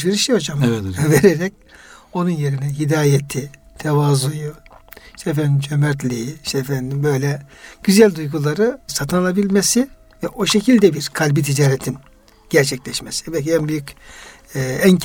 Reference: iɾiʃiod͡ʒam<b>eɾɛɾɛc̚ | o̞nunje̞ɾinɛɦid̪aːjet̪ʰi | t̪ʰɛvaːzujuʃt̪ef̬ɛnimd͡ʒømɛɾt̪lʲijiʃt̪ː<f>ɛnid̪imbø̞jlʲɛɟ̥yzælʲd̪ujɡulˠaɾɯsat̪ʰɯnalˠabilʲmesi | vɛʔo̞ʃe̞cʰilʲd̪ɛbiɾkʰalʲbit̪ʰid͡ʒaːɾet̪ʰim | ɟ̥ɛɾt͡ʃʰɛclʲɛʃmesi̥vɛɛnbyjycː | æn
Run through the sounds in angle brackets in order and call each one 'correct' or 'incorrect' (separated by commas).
incorrect, correct